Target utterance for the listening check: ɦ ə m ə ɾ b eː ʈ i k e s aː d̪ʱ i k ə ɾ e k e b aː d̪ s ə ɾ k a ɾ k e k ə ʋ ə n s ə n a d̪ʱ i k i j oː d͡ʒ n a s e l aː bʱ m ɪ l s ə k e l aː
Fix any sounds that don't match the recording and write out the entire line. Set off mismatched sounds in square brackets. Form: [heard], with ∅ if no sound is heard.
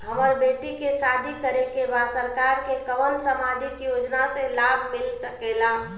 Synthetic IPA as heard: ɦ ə m ə ɾ b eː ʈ i k e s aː d̪ʱ i k ə ɾ e k e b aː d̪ s ə ɾ k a ɾ k e k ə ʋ ə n s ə [m] a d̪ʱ i k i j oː d͡ʒ n a s e l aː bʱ m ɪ l s ə k e l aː